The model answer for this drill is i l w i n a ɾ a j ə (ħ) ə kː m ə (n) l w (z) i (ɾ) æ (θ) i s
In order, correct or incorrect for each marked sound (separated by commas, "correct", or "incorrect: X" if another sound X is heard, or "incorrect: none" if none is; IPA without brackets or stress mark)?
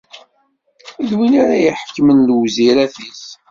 correct, correct, correct, correct, correct